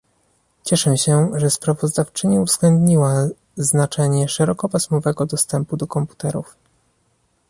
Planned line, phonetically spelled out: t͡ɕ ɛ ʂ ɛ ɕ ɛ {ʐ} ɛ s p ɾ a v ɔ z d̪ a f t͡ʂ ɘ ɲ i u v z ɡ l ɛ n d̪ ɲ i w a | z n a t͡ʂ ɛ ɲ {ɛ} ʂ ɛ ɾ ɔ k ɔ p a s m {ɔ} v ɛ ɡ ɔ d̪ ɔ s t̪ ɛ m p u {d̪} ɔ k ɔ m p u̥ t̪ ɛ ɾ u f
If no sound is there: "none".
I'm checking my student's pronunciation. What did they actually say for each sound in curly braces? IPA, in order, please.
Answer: ʐ, ɛ, ɔ, d̪

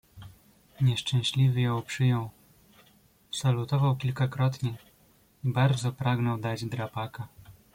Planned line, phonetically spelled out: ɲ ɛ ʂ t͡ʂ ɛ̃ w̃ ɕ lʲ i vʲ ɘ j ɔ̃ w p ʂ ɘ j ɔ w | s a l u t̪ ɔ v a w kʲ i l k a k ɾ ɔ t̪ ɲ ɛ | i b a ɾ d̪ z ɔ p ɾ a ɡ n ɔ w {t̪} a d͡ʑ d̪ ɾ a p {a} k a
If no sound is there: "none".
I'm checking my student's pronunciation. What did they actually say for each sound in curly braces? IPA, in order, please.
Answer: d̪, a

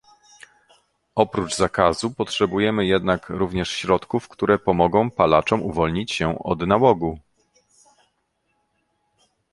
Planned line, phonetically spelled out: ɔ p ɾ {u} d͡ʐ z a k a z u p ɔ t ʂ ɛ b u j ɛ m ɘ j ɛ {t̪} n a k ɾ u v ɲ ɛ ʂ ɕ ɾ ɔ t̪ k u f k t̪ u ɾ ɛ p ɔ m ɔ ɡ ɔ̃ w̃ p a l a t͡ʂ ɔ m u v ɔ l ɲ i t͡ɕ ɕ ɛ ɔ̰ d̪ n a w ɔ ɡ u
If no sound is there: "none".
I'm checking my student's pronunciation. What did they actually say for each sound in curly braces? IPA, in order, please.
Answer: u, d̪

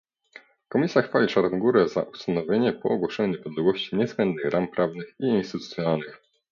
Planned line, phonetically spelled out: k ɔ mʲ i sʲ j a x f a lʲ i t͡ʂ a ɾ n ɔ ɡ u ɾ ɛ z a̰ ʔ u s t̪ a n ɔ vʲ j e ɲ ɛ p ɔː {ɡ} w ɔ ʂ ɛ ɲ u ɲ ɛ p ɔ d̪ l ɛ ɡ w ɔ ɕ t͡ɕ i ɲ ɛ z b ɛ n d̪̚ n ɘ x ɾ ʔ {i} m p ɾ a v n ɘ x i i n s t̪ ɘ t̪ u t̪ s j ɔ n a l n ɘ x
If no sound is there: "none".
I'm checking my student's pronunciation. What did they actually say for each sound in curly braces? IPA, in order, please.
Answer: ɡ, a

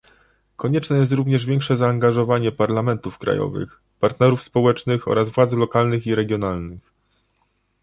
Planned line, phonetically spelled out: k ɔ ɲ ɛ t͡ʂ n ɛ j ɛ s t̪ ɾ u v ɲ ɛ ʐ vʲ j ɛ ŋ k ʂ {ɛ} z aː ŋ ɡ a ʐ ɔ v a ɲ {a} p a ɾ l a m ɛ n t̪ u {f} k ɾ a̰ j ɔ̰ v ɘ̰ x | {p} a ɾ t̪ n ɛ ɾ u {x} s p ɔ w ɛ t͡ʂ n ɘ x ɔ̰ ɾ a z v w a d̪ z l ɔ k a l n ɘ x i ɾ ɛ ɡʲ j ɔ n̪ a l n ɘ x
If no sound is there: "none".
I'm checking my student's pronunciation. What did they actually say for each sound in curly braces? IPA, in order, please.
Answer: ɛ, ɛ, f, p, f

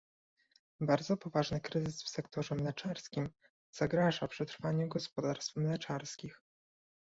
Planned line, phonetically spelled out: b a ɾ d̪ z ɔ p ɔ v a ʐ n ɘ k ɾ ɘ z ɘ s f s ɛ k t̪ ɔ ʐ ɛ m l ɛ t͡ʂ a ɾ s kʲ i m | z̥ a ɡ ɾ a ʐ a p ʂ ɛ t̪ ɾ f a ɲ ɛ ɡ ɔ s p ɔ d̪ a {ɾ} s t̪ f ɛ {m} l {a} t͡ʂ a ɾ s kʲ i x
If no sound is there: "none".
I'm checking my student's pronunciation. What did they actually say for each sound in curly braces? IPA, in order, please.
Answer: ɾ, m, ɛ

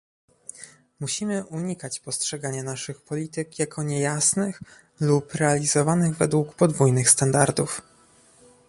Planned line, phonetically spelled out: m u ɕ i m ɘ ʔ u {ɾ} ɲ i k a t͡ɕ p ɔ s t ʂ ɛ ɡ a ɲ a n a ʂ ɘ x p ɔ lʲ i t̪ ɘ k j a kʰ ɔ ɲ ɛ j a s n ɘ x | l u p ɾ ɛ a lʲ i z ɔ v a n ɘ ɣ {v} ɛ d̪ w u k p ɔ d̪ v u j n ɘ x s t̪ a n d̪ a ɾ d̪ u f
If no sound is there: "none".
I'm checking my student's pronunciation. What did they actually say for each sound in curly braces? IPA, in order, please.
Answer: none, v

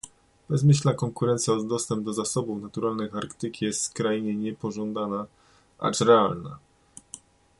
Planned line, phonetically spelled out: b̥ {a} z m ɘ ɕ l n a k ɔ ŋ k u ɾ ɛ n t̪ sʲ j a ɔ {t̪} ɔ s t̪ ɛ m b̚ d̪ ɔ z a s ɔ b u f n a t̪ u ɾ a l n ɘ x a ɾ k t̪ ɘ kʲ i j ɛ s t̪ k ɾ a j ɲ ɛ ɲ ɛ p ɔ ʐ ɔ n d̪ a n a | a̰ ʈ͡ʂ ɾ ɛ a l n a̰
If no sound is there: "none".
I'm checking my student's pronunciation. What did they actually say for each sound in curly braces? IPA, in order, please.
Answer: ɛ, d̪

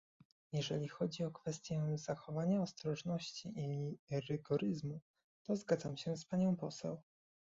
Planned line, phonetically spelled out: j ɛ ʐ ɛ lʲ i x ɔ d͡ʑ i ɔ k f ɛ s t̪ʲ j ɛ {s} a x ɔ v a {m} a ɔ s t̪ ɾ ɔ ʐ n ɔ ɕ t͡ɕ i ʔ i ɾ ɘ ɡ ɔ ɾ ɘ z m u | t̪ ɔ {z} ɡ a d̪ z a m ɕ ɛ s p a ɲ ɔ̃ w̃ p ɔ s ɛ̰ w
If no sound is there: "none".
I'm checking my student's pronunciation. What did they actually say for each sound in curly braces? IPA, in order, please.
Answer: z, ɲ, z

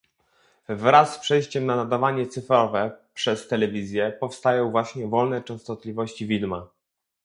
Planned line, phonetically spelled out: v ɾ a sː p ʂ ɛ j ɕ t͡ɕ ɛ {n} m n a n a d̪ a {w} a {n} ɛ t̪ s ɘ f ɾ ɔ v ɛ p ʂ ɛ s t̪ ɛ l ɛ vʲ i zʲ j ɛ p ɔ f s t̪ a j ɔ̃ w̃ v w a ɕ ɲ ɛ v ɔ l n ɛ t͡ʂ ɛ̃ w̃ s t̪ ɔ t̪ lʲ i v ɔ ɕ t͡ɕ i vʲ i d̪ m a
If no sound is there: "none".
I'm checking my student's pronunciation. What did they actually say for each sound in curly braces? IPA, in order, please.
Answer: none, v, ɲ

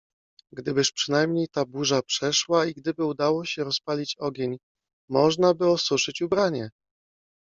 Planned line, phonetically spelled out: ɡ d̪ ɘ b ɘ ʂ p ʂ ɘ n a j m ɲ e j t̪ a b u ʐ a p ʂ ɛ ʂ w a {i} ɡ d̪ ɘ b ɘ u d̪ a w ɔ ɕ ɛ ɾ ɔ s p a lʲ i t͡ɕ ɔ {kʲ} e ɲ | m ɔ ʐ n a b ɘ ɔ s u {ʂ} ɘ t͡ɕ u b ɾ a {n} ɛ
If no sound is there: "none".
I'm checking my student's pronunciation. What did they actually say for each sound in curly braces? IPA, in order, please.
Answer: i, ɡʲ, ʂ, ɲ

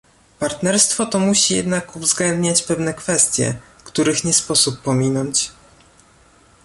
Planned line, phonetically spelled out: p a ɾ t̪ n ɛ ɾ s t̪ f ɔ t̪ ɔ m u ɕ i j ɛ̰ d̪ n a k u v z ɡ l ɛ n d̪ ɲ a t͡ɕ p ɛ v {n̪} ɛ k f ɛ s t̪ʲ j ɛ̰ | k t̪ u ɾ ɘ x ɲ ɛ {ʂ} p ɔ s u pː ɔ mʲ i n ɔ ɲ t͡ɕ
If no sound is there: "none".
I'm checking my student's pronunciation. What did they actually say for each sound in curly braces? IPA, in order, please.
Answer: n̪, s

